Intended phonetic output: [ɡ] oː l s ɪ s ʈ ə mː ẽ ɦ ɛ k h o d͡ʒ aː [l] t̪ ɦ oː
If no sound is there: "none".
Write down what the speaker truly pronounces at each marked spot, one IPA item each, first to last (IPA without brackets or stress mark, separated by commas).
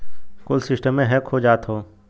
k, none